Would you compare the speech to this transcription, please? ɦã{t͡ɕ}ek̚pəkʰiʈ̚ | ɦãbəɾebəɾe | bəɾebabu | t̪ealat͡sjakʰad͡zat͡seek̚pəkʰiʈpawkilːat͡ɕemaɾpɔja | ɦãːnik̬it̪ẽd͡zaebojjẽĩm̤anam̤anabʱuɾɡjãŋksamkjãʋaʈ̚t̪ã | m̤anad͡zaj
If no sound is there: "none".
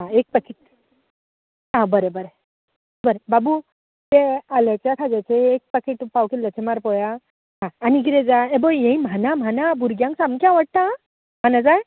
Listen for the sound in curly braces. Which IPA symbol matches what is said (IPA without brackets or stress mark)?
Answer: none